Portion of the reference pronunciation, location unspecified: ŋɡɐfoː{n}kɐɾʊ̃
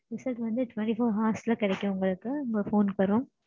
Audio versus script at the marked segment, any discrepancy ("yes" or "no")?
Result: no